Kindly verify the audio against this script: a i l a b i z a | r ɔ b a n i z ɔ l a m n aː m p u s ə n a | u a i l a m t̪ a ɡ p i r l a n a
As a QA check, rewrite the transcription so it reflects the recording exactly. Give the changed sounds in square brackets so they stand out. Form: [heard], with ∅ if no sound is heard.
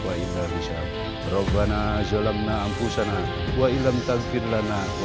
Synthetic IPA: a i l a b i [s] a | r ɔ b a n [a] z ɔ l a m n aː m p u s [a] n a | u a i l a m t̪ a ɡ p i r l a n a